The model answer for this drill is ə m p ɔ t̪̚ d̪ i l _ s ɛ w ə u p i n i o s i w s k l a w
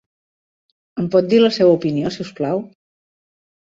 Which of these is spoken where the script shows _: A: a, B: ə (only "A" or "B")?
B